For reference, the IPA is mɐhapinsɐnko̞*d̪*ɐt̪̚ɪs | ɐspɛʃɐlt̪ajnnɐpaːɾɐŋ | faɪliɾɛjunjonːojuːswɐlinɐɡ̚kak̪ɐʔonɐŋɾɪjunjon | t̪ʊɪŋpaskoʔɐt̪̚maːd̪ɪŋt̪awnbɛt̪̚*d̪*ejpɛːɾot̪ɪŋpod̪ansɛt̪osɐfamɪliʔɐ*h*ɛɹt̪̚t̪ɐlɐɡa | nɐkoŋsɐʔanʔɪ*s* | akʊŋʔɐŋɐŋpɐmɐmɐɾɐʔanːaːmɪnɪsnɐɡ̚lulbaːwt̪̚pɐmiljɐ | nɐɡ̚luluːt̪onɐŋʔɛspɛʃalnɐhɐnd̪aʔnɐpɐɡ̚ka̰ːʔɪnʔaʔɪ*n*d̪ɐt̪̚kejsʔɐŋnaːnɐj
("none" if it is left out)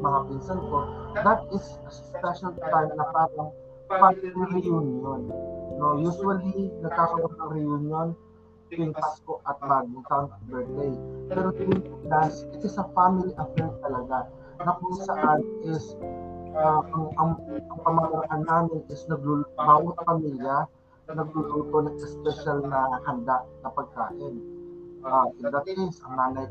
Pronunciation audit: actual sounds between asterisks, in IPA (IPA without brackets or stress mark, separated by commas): d̪, d̪, f, s, n